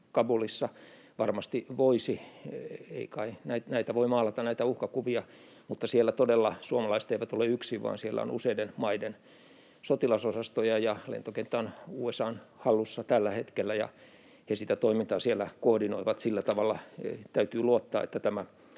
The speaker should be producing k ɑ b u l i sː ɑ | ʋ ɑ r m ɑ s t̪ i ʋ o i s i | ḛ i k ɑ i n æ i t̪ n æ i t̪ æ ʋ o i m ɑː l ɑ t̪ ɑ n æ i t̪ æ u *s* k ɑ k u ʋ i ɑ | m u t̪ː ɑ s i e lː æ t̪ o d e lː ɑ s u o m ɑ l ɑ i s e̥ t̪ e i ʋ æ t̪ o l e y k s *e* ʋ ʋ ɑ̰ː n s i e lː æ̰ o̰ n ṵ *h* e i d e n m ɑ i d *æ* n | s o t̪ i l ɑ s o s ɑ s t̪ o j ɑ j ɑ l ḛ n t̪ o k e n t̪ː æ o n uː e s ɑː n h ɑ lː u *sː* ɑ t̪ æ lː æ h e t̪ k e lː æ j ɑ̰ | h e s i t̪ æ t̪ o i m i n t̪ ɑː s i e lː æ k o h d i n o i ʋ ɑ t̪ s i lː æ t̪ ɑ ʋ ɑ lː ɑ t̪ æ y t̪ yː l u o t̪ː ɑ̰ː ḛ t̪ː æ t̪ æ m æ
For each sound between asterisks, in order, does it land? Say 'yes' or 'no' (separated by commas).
no, no, no, no, yes